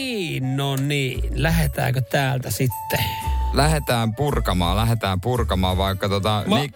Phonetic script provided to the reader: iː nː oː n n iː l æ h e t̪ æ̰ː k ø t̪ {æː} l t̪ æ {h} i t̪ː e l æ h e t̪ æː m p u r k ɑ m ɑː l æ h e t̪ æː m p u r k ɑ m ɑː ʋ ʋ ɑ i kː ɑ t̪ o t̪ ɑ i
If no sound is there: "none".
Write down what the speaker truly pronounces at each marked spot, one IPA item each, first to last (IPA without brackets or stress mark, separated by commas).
æː, s